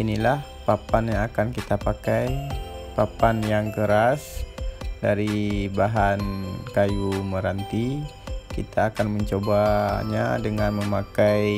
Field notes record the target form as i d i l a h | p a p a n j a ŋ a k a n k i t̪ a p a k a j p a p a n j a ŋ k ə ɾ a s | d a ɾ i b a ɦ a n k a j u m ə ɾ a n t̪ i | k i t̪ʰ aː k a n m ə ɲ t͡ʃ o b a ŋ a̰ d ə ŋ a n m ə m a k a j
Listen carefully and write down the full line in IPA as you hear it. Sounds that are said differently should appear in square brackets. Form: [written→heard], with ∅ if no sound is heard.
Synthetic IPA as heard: i [d→n] i l a h | p a p a n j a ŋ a k a n k i t̪ a p a k a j p a p a n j a ŋ k ə ɾ a s | d a ɾ i b a ɦ a n k a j u m ə ɾ a n t̪ i | k i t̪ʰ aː k a n m ə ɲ t͡ʃ o b a [ŋ→ɲ] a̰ d ə ŋ a n m ə m a k a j

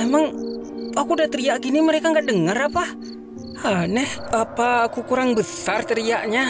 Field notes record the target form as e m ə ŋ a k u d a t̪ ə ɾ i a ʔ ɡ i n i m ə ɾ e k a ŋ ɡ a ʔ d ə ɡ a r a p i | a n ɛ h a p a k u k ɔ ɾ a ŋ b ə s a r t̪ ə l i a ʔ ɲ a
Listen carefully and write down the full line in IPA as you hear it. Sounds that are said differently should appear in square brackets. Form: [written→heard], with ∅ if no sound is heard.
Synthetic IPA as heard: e m [ə→a] ŋ a k u d a t̪ ə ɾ i a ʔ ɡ i n i m ə ɾ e k a ŋ ɡ a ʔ d ə [ɡ→ŋ] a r a p [i→a] | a n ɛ h a p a k u k [ɔ→u] ɾ a ŋ b ə s a r t̪ ə [l→ɾ] i a ʔ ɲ a

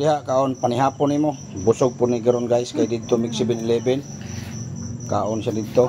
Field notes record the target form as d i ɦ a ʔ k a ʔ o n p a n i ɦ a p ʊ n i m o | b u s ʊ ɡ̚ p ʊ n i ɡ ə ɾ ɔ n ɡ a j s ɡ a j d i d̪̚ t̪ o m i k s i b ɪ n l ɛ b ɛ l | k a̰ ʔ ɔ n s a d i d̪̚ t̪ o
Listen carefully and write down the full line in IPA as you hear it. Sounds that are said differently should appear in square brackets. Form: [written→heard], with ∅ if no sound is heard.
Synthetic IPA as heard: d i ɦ a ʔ k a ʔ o n p a n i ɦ a p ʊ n i m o | b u s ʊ ɡ̚ p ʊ n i ɡ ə ɾ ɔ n ɡ a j s [ɡ→k] a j d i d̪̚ t̪ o m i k s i b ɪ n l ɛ b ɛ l | k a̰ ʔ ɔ n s a d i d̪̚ t̪ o

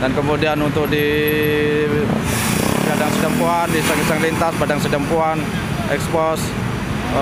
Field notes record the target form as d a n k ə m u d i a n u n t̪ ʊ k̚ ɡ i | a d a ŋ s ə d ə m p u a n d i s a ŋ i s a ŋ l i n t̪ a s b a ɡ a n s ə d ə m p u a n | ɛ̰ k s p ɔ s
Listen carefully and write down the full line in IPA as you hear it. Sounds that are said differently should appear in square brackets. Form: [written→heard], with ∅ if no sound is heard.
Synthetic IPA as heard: d a n k ə m u d i a n u n t̪ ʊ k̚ [ɡ→d] i | a d a ŋ s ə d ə m p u a n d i s a ŋ i s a ŋ l i n t̪ a s b a [ɡ→d] a [n→ŋ] s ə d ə m p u a n | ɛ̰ k s p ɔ s

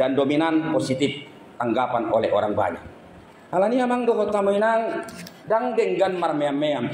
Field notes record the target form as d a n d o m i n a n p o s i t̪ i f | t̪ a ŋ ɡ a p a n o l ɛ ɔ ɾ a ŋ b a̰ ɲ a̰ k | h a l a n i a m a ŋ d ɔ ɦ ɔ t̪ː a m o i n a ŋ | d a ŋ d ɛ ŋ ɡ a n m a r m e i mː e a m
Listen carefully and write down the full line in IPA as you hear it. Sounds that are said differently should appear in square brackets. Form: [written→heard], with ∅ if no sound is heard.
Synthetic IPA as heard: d a n d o m i n a n p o s i t̪ i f | t̪ a ŋ ɡ a p a n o l ɛ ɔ ɾ a ŋ b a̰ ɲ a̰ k | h a l a n i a m a ŋ d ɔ ɦ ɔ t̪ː a m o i n a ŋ | d a ŋ d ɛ ŋ ɡ a n m a r m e [i→a] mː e a m

